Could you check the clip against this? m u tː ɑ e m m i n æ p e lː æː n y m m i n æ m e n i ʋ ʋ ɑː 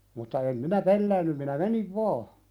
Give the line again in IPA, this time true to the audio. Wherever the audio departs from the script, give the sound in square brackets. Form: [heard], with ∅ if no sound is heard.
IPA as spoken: m u tː ɑ e m m i n æ p e lː æː [nː] y m m i n æ m e n i ʋ ʋ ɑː